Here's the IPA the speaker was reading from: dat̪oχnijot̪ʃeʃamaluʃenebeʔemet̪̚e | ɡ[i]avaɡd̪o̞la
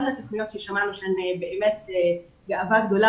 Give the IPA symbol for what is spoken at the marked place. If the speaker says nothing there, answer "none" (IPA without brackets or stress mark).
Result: a